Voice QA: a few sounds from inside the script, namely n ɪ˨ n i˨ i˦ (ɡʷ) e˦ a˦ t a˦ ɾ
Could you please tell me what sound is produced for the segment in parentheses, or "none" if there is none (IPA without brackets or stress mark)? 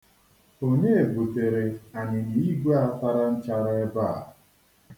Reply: ɡʷ